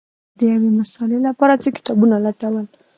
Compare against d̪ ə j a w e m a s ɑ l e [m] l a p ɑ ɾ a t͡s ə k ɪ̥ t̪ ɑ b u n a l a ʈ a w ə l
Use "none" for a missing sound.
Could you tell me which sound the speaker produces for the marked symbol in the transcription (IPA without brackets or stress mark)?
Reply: none